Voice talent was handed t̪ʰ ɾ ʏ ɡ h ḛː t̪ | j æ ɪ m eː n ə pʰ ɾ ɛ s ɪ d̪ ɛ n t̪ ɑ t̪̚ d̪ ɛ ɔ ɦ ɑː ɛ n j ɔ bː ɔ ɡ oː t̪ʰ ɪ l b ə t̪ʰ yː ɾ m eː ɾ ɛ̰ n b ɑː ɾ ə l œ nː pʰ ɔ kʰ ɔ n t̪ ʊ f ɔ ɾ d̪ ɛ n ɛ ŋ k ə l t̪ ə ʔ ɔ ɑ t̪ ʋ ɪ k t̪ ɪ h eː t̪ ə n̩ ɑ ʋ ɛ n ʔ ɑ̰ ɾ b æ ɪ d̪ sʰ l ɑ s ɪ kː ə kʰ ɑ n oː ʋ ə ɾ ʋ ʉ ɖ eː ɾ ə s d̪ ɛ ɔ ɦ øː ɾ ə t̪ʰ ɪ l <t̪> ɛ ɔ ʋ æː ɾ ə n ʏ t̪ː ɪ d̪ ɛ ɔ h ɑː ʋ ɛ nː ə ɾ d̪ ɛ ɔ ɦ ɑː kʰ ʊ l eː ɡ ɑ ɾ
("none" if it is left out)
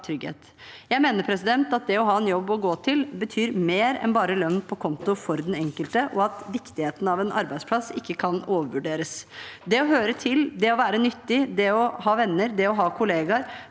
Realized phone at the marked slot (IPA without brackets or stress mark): d̪